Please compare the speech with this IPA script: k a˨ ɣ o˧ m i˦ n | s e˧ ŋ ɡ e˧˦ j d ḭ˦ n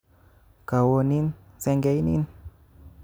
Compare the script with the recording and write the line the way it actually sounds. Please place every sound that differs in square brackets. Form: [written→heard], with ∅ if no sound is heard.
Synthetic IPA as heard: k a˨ [ɣ→w] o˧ [m→n] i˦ n | s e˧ ŋ ɡ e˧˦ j [d→n] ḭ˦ n